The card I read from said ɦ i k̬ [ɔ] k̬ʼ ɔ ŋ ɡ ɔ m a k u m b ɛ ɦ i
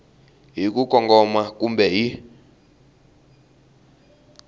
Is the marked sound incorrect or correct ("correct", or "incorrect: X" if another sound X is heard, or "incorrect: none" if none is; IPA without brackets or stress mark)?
incorrect: u